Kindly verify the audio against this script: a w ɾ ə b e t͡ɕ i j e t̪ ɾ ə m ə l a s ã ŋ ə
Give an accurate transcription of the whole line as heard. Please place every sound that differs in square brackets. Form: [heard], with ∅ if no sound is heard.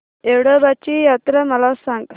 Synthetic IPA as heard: [e] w [ɽ] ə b [a] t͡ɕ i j [a] t̪ ɾ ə m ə l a s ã ŋ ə